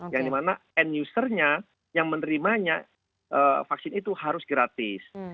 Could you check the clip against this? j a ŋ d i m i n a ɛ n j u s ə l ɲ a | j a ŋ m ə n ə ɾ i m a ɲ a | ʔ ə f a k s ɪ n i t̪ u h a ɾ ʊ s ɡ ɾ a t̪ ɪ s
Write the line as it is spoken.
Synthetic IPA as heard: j a ŋ d i m a n a ɛ n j u s ə r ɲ a | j a ŋ m ə n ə ɾ i m a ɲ a | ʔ ə f a k s ɪ n i t̪ u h a ɾ ʊ s ɡ ɾ a t̪ ɪ s